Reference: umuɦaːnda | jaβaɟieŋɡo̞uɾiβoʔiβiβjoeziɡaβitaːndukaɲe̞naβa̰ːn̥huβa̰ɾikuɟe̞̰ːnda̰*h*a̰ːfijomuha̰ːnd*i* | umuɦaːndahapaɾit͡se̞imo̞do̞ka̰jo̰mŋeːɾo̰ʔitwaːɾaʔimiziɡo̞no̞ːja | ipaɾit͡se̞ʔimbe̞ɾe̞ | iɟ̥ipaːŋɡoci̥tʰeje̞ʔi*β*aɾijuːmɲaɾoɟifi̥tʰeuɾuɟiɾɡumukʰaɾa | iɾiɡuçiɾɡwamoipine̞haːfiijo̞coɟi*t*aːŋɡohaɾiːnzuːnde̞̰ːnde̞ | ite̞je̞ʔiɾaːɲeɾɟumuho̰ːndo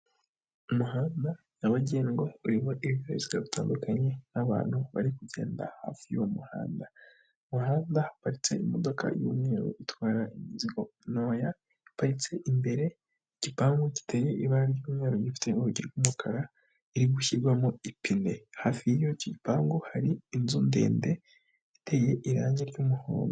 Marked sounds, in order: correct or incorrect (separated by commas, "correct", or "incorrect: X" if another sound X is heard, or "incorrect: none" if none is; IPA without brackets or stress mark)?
correct, incorrect: a, correct, incorrect: p